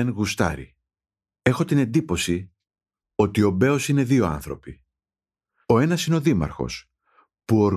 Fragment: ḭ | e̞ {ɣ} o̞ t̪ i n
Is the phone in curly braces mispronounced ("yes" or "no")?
yes